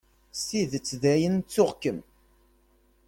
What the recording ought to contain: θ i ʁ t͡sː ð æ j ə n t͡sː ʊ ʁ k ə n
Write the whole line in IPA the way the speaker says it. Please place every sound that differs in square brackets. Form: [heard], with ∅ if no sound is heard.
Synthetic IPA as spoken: [s] i [ð] t͡sː ð æ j ə n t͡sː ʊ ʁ k ə [m]